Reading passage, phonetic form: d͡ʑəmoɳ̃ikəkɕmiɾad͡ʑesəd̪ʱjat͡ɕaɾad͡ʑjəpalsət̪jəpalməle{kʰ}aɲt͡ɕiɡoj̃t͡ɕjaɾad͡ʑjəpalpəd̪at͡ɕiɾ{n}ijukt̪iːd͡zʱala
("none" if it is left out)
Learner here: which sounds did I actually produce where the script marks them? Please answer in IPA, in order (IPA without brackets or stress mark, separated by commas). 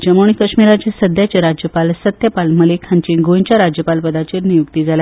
kʰ, n